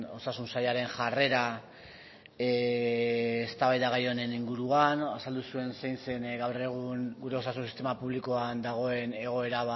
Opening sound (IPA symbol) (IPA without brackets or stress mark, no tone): o̞